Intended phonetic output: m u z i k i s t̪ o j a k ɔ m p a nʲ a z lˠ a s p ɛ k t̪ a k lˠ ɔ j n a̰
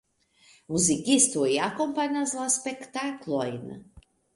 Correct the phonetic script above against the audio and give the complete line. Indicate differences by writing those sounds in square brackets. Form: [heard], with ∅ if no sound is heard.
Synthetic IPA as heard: m u z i k i s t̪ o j a k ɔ m p a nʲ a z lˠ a s p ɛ k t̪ a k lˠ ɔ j n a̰